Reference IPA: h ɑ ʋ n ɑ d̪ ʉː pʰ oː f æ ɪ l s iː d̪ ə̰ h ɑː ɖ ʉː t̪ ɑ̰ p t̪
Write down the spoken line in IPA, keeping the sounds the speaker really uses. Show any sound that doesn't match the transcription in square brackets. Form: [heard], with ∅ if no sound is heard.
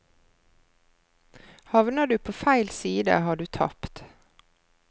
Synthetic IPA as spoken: h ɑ ʋ n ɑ d̪ ʉː pʰ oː f æ ɪ l s iː d̪ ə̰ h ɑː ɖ ʉː [t̪ʰ] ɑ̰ p t̪